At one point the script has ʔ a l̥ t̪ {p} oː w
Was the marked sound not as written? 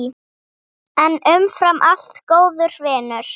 yes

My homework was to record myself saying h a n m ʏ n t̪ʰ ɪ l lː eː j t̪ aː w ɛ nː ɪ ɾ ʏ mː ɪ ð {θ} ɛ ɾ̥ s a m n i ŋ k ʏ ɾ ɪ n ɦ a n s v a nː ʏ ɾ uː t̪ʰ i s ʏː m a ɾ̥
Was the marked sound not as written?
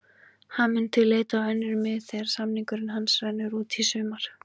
no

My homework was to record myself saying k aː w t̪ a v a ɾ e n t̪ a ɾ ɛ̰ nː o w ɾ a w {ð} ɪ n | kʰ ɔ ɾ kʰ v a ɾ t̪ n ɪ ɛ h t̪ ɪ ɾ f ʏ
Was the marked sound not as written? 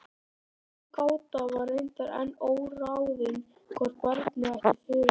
no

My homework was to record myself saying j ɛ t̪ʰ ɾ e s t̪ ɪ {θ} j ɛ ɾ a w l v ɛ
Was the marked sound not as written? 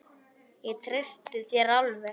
no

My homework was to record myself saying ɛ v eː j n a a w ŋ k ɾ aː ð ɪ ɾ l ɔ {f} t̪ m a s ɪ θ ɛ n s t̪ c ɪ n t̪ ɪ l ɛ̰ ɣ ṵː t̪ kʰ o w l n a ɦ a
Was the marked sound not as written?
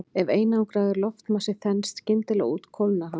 no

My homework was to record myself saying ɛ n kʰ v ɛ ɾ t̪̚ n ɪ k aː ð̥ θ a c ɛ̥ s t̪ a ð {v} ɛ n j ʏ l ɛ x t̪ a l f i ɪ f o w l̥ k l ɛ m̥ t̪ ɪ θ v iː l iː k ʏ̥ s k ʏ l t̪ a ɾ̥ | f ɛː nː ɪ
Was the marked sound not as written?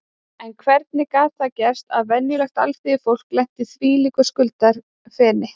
no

